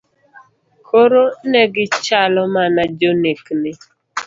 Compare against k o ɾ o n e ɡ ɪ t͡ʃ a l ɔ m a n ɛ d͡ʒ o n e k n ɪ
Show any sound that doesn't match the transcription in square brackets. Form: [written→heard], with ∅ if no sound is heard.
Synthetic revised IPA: k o ɾ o n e ɡ ɪ t͡ʃ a l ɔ m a n [ɛ→a] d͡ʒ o n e k n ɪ